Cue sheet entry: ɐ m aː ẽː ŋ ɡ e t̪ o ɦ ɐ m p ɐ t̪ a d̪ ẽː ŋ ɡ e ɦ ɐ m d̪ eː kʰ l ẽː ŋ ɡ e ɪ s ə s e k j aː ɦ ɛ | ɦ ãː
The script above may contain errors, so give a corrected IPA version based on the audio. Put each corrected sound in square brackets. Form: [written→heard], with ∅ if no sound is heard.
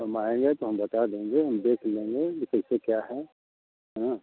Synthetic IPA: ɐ m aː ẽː ŋ ɡ e t̪ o ɦ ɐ m [p→b] ɐ t̪ a d̪ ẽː ŋ ɡ e ɦ ɐ m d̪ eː kʰ l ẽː ŋ ɡ e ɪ s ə s e k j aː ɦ ɛ | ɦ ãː